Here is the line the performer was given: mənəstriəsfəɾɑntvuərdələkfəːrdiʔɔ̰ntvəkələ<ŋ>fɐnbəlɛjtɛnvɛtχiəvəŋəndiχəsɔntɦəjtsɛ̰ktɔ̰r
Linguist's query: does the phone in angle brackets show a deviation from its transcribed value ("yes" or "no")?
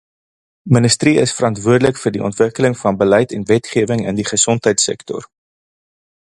no